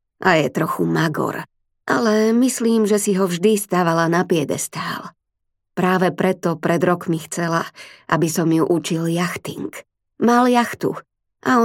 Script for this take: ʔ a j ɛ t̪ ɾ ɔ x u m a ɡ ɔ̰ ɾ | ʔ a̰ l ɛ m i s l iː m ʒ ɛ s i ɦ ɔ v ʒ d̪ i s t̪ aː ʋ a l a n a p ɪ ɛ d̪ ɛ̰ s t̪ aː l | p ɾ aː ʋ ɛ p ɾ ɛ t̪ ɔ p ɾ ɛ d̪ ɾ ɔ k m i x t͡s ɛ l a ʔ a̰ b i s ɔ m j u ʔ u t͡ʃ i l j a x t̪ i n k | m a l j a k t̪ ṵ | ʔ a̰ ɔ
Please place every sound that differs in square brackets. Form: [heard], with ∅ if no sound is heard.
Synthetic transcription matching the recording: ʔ a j ɛ t̪ ɾ ɔ x u m a ɡ ɔ̰ ɾ | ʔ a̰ l ɛ m i s l iː m ʒ ɛ s i ɦ ɔ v ʒ d̪ i s t̪ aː ʋ a l a n a p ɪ ɛ d̪ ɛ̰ s t̪ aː l | p ɾ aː ʋ ɛ p ɾ ɛ t̪ ɔ p ɾ ɛ d̪ ɾ ɔ k m i x t͡s ɛ l a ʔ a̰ b i s ɔ m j u ʔ u t͡ʃ i l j a x t̪ i [ŋ] k | m a l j a [x] t̪ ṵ | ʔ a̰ ɔ